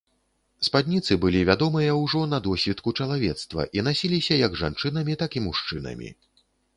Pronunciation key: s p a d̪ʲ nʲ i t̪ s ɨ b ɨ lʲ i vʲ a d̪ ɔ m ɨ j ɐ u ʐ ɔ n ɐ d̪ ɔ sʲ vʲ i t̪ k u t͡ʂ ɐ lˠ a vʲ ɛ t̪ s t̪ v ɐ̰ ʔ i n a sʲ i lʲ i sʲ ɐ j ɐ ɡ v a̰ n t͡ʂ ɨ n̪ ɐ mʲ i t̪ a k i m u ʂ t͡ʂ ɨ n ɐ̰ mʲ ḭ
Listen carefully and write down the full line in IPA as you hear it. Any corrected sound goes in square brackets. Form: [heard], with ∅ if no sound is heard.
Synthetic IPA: s p a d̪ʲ nʲ i t̪ s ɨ b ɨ lʲ i vʲ a d̪ ɔ m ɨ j ɐ [w] ʐ ɔ n ɐ d̪ ɔ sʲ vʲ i t̪ k u t͡ʂ ɐ lˠ a vʲ ɛ t̪ s t̪ v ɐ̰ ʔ i n a sʲ i lʲ i sʲ ɐ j ɐ ɡ [ʐ] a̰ n t͡ʂ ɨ n̪ ɐ mʲ i t̪ a k i m u ʂ t͡ʂ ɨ n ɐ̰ mʲ ḭ